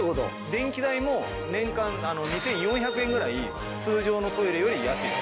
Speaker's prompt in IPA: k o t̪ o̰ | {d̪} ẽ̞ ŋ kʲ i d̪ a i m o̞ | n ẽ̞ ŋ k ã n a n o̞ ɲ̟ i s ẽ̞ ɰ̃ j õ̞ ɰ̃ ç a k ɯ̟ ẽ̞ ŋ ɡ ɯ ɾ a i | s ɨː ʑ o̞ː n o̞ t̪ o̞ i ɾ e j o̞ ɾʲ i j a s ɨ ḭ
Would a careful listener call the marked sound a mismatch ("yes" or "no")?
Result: no